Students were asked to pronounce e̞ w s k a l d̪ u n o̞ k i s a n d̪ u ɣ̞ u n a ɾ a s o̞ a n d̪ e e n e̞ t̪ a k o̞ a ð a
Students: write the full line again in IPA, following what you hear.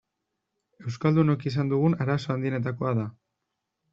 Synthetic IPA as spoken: e̞ w s k a l d̪ u n o̞ k i s a n d̪ u ɣ̞ u n a ɾ a s o̞ a n d̪ i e n e̞ t̪ a k o̞ a ð a

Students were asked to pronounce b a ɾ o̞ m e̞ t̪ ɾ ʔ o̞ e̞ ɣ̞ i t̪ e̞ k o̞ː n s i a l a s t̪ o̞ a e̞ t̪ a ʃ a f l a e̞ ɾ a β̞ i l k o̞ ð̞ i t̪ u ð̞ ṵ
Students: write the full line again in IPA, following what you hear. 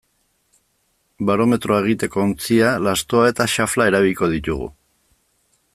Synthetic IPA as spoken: b a ɾ o̞ m e̞ t̪ ɾ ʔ o̞ e̞ ɣ̞ i t̪ e̞ k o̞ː n t͡s i a l a s t̪ o̞ a e̞ t̪ a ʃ a f l a e̞ ɾ a β̞ i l k o̞ ð̞ i t̪ u ɣ̞ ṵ

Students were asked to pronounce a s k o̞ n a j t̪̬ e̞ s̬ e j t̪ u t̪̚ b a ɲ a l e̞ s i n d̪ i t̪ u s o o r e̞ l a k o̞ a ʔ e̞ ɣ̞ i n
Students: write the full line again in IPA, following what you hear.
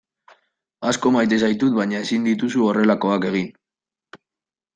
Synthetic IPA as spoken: a s k o̞ m a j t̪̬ e̞ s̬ a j t̪ u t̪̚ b a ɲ a e̞ s i n d̪ i t̪ u s u o r e̞ l a k o̞ a k e̞ ɣ̞ i n

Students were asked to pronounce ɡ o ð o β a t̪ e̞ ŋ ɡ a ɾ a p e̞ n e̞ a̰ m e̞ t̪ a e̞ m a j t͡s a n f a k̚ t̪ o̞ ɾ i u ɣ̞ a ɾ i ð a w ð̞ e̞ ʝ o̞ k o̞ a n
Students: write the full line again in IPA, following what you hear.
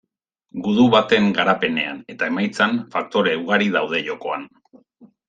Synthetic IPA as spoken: ɡ u ð u β a t̪ e̞ ŋ ɡ a ɾ a p e̞ n e̞ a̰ n e̞ t̪ a e̞ m a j t͡s a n f a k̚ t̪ o̞ ɾ e u ɣ̞ a ɾ i ð a w ð̞ e̞ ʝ o̞ k o̞ a n

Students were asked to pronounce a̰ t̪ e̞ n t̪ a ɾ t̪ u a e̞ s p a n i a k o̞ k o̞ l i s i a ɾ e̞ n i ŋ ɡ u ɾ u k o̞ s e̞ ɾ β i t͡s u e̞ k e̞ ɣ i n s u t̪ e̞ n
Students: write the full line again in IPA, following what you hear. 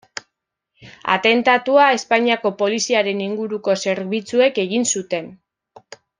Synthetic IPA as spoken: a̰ t̪ e̞ n t̪ a t̪ u a e̞ s p a ɲ i a k o̞ p o̞ l i s i a ɾ e̞ n i ŋ ɡ u ɾ u k o̞ s e̞ ɾ β i t͡s u e̞ k e̞ ɣ i n s u t̪ e̞ n

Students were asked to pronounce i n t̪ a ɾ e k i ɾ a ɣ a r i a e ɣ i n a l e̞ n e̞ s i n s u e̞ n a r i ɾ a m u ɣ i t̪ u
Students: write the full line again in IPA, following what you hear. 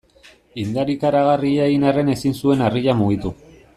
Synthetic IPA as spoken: i n d̪ a ɾ i k a ɾ a ɣ a r i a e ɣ i n a r e̞ n e̞ s i n s u e̞ n a r i ʎ a m u ɣ i t̪ u

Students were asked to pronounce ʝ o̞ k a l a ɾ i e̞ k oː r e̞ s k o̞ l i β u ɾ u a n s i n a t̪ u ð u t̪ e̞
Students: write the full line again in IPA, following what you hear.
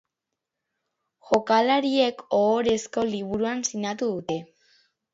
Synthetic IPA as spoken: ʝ o̞ k a l a ɾ i e̞ k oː ɾ e̞ s k o̞ l i β u ɾ u a n s i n a t̪ u ð u t̪ e̞

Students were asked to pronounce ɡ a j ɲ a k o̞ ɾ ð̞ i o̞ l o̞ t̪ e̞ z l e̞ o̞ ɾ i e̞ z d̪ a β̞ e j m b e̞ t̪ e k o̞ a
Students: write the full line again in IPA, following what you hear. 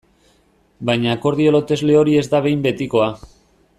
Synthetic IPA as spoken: b a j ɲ a k o̞ ɾ ð̞ i o̞ l o̞ t̪ e̞ z l e̞ o̞ ɾ i e̞ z d̪ a β̞ e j m b e̞ t̪ i k o̞ a

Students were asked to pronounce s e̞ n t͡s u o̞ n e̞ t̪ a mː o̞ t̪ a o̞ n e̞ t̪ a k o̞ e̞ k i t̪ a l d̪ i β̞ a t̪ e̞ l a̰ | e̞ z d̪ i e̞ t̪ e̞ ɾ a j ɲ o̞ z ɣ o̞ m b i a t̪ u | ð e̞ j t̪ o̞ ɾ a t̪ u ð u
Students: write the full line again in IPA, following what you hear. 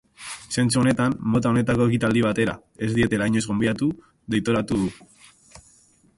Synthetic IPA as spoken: s e̞ n t͡s u o̞ n e̞ t̪ a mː o̞ t̪ a o̞ n e̞ t̪ a k o̞ e̞ k i t̪ a l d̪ i β̞ a t̪ e̞ ɾ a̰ | e̞ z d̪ i e̞ t̪ e̞ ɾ a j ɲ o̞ z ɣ o̞ m b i a t̪ u | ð e̞ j t̪ o̞ ɾ a t̪ u ð u

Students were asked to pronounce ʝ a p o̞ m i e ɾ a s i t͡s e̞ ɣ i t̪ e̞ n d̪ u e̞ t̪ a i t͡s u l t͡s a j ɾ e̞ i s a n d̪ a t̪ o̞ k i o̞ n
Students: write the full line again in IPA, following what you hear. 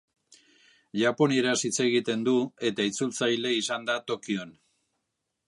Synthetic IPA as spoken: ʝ a p o̞ n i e ɾ a s i t͡s e̞ ɣ i t̪ e̞ n d̪ u e̞ t̪ a i t͡s u l t͡s a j l e̞ i s a n d̪ a t̪ o̞ k i o̞ n

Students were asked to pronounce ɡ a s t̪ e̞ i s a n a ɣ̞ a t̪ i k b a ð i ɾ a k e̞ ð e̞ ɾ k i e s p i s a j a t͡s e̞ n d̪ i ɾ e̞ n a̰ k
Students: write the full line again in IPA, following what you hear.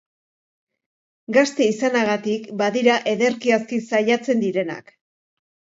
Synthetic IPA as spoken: ɡ a s t̪ e̞ i s a n a ɣ̞ a t̪ i k b a ð i ɾ a ʔ e̞ ð e̞ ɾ k i a s k i s a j a t͡s e̞ n d̪ i ɾ e̞ n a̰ k

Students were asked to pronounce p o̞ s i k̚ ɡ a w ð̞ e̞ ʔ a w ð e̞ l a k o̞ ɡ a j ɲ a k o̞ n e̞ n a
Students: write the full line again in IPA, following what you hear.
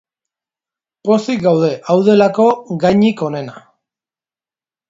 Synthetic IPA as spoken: p o̞ s i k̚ ɡ a w ð̞ e̞ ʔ a w ð e̞ l a k o̞ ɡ a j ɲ i k o̞ n e̞ n a

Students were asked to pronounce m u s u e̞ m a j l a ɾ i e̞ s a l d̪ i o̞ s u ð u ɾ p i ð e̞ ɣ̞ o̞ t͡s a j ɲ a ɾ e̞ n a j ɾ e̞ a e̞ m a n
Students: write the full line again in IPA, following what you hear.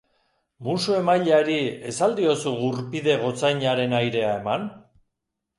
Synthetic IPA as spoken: m u s u e̞ m a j ʎ a ɾ i e̞ s a l d̪ i o̞ s u ɣ u ɾ p i ð e̞ ɣ̞ o̞ t͡s a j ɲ a ɾ e̞ n a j ɾ e̞ a e̞ m a n

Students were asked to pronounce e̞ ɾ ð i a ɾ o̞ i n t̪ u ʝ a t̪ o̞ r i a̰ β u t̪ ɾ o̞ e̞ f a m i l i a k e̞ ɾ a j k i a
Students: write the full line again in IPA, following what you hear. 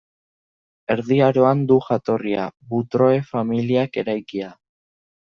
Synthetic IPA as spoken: e̞ ɾ ð i a ɾ o̞ a n d̪ u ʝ a t̪ o̞ r i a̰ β u t̪ ɾ o̞ e̞ f a m i l i a k e̞ ɾ a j k i a

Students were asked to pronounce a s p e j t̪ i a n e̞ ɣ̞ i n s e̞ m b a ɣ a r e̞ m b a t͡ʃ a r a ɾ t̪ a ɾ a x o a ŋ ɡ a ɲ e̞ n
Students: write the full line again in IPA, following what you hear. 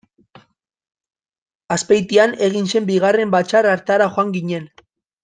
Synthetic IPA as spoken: a s p e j t̪ i a n e̞ ɣ̞ i n s e̞ m b i ɣ a r e̞ m b a t͡ʃ a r a ɾ t̪ a ɾ a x o a ŋ ɡ i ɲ e̞ n

